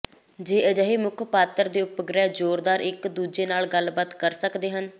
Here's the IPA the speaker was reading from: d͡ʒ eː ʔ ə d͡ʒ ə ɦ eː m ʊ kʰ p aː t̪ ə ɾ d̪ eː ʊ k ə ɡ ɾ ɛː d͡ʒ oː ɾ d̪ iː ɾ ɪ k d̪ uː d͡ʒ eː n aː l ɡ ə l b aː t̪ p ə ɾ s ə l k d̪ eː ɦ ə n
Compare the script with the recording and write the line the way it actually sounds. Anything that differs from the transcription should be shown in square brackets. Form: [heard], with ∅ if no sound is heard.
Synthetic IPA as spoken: d͡ʒ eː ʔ ə d͡ʒ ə ɦ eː m ʊ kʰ p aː t̪ ə ɾ d̪ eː ʊ [p] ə ɡ ɾ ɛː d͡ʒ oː ɾ d̪ [aː] ɾ ɪ k d̪ uː d͡ʒ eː n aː l ɡ ə l b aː t̪ [k] ə ɾ s ə [∅] k d̪ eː ɦ ə n

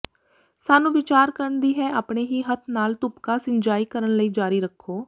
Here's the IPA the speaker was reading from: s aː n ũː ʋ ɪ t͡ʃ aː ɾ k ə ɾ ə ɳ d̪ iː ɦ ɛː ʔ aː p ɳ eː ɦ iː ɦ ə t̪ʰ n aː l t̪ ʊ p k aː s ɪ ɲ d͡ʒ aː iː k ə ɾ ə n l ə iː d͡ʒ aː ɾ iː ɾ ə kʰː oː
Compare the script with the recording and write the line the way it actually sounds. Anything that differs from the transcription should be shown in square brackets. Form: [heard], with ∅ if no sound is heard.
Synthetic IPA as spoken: s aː n ũː ʋ ɪ t͡ʃ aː ɾ k ə ɾ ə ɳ d̪ iː ɦ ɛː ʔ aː p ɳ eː ɦ iː ɦ ə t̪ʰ n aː l t̪ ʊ p k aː s ɪ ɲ d͡ʒ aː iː k ə ɾ ə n l ə iː d͡ʒ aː ɾ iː ɾ ə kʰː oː

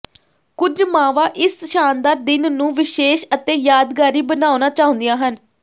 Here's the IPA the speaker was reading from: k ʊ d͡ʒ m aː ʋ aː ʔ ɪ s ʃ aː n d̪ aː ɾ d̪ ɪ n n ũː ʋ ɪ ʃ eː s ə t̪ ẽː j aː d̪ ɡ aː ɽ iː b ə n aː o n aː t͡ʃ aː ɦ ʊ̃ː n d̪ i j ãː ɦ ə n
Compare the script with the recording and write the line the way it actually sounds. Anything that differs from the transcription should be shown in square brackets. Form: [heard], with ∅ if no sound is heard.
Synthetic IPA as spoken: k ʊ d͡ʒ m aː ʋ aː ʔ ɪ s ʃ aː n d̪ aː ɾ d̪ ɪ n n ũː ʋ ɪ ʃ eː [ʃ] ə t̪ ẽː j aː d̪ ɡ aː [ɾ] iː b ə n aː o n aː t͡ʃ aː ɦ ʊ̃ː n d̪ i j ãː ɦ ə n

